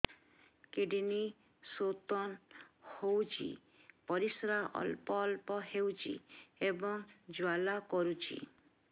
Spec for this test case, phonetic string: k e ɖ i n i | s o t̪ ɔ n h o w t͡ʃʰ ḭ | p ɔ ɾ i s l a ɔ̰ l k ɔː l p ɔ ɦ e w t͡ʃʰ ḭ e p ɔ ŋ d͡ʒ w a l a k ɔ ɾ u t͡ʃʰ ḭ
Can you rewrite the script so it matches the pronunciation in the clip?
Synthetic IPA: k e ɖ i n i | s o t̪ ɔ n h o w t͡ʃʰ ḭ | p ɔ ɾ i s ɾ a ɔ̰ l p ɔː l p ɔ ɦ e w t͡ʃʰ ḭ e b ɔ ŋ d͡ʒ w a l a k ɔ ɾ u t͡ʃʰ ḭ

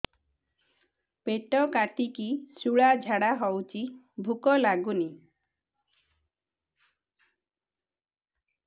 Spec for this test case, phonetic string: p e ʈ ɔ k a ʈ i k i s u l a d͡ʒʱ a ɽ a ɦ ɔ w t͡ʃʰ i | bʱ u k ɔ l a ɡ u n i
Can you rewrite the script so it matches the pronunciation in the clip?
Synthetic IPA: p e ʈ ɔ k a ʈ i k i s u ɭ a d͡ʒʱ a ɽ a ɦ ɔ w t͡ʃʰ i | bʱ u k ɔ l a ɡ u n i

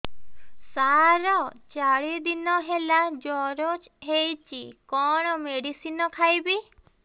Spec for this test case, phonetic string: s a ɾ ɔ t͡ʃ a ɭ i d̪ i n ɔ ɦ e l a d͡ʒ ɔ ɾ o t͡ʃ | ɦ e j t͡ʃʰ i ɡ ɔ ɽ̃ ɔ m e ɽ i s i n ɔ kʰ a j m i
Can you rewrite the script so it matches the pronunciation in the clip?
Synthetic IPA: s a ɾ ɔ t͡ʃ a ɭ i d̪ i n ɔ ɦ e l a d͡ʒ ɔ ɾ o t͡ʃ | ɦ e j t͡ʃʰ i k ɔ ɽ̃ ɔ m e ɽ i s i n ɔ kʰ a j b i

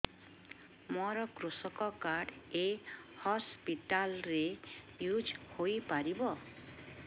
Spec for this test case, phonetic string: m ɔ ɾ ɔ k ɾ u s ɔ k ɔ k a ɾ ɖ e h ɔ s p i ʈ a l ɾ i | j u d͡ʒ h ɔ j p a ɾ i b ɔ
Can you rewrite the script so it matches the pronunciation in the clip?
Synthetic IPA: m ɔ ɾ ɔ k ɾ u s ɔ k ɔ k a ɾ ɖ e h ɔ s p i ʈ a l ɾ e | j u d͡ʒ h o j p a ɾ i b ɔ

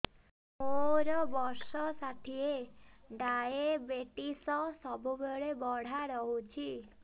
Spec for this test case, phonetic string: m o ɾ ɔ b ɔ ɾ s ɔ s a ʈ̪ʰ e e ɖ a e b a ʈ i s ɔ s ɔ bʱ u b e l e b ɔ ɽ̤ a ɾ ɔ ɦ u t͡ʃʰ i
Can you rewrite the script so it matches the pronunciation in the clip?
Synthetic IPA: m o ɾ ɔ b ɔ ɾ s ɔ s a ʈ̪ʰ i e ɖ a e b e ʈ i s ɔ s ɔ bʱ u b e ɭ e b ɔ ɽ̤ a ɾ ɔ ɦ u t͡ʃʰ i

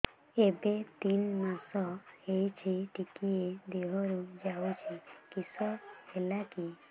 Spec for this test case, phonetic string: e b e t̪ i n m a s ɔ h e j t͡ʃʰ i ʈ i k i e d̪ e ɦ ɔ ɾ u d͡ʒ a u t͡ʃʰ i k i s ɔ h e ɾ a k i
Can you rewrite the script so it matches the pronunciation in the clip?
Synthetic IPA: e b e t̪ i n m a s ɔ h e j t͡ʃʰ i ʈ i k i e d̪ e ɦ ɔ ɾ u d͡ʒ a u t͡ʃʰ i k i s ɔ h e l a k i

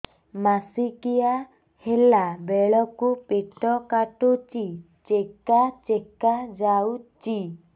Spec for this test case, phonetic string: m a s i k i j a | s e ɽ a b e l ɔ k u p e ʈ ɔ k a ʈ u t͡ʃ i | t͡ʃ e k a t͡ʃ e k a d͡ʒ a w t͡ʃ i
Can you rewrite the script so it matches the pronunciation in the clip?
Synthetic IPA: m a s i k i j a | h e l a b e ɭ ɔ k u p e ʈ ɔ k a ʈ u t͡ʃ i | t͡ʃ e k a t͡ʃ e k a d͡ʒ a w t͡ʃ i

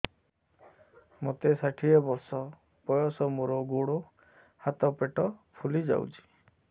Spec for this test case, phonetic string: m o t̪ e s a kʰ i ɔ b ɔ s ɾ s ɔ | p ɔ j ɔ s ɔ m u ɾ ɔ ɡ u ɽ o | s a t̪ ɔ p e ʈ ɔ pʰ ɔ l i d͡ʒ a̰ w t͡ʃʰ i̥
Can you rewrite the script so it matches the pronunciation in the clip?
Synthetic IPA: m o t̪ e s a ʈʰ i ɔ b ɔ ɾ s ɔ | p ɔ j ɔ s ɔ m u ɾ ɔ ɡ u ɽ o | h a t̪ ɔ p e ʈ ɔ pʰ u l i d͡ʒ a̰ w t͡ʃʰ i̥

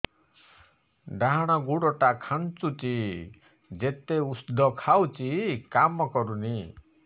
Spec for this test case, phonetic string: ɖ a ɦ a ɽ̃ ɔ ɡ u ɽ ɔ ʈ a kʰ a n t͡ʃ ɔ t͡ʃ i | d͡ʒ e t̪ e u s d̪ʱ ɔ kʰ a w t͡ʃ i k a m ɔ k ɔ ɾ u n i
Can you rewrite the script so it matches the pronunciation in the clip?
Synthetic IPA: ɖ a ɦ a ɽ̃ ɔ ɡ u ɽ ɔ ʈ a kʰ a n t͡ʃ u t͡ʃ i | d͡ʒ e t̪ e u s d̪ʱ ɔ kʰ a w t͡ʃ i k a m ɔ k ɔ ɾ u n i

